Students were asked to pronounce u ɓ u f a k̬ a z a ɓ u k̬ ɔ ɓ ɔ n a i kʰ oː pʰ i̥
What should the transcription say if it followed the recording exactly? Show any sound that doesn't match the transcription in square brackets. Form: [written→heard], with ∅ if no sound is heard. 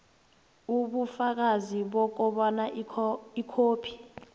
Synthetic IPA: u ɓ u f a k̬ a z [a→i] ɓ [u→ɔ] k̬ ɔ ɓ ɔ n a i kʰ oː pʰ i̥